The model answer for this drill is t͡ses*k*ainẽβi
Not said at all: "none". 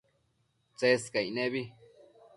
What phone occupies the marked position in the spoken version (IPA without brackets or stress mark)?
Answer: k